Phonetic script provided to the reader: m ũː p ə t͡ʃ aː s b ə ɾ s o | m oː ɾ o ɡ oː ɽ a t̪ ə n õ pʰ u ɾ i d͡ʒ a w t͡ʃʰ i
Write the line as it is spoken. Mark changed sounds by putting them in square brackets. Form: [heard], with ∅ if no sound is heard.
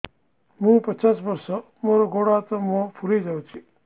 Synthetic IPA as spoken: m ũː p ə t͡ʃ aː s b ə ɾ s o | m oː ɾ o ɡ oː ɽ a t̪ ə [m] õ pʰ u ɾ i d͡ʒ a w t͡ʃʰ i